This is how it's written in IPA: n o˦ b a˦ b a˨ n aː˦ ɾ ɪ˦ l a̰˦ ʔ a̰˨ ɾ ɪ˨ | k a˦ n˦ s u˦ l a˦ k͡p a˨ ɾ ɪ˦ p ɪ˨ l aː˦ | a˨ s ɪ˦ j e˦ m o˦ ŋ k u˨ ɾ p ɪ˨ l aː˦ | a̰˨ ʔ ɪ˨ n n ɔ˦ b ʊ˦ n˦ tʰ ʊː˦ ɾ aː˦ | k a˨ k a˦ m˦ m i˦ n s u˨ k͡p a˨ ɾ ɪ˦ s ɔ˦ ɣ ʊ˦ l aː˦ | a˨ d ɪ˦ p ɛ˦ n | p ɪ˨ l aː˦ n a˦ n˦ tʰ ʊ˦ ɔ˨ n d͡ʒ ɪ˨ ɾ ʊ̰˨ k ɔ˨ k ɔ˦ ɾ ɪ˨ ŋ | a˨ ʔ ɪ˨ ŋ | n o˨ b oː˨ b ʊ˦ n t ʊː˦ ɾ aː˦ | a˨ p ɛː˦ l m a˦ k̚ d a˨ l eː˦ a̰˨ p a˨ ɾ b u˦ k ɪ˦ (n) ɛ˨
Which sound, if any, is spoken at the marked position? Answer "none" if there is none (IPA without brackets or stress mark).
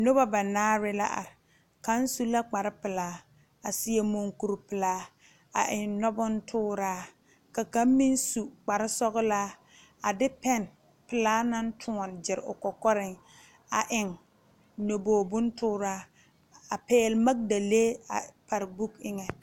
ŋ